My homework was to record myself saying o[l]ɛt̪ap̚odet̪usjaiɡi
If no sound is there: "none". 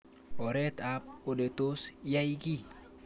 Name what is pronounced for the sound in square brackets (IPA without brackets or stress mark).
ɾ